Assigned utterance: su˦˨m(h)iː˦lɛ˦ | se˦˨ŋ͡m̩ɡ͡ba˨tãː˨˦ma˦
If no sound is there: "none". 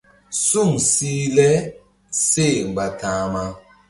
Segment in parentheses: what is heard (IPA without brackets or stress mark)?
s